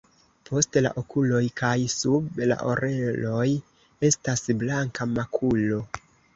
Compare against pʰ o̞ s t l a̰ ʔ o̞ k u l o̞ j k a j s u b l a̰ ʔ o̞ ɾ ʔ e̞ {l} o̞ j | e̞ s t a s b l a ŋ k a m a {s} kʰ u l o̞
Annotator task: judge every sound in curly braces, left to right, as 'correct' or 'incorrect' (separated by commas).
correct, incorrect